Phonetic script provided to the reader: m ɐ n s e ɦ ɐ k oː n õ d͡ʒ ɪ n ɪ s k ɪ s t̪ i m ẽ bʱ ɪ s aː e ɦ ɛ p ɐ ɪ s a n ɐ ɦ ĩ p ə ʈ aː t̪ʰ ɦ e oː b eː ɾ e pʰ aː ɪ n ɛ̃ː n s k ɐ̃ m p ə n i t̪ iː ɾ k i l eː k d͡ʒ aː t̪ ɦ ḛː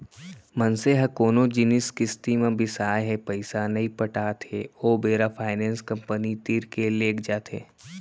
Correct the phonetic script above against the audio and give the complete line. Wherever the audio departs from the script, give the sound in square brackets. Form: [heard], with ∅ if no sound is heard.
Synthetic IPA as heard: m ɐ n s e ɦ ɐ k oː n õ d͡ʒ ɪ n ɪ s k ɪ s t̪ i m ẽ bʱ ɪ s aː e ɦ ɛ p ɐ ɪ s a n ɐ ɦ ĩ p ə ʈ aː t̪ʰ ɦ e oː b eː ɾ [a] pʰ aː ɪ n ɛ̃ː n s k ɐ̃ m p ə n i t̪ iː ɾ k [e] l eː k d͡ʒ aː t̪ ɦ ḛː